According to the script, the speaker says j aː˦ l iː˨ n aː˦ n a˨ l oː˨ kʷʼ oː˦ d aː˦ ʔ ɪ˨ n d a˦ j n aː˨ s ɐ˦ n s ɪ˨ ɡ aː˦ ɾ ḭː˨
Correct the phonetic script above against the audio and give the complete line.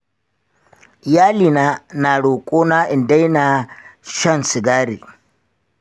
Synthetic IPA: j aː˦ l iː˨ n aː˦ n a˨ ɽ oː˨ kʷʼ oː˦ n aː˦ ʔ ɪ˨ n d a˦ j n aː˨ ʃ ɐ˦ n s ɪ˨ ɡ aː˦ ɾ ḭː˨